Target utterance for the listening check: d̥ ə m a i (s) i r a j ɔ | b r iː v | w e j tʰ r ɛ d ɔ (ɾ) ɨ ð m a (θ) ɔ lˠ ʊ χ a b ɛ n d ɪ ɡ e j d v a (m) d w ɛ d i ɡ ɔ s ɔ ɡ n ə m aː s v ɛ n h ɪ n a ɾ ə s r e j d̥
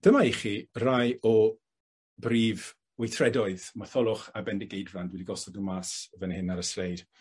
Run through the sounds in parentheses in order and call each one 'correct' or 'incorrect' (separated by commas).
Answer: incorrect, incorrect, correct, incorrect